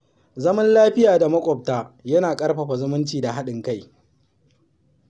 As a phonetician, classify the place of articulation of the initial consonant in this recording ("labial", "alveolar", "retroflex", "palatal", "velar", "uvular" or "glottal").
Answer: alveolar